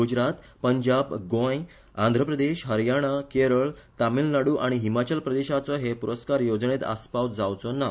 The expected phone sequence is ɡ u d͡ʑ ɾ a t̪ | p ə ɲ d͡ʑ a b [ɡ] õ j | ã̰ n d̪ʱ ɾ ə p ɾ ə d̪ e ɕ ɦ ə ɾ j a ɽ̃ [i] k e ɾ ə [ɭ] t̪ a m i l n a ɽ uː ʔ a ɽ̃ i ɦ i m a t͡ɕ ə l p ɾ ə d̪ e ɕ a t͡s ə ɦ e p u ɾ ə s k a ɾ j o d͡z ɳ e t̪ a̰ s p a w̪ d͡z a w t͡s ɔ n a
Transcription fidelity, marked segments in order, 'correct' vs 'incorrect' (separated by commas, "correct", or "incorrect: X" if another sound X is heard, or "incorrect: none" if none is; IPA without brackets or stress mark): correct, incorrect: a, correct